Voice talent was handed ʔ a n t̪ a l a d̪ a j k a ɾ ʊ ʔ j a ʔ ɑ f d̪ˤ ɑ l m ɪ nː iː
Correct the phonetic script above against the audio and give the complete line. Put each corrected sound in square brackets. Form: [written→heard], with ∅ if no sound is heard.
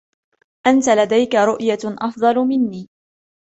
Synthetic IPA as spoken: ʔ a n t̪ a l a d̪ a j k a ɾ ʊ ʔ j a ʔ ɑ f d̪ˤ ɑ l m ɪ nː iː